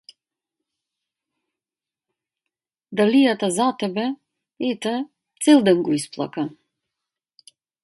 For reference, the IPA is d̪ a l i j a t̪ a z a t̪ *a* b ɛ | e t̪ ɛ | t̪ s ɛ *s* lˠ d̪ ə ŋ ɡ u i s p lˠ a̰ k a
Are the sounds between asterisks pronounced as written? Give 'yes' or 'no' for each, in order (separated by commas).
no, no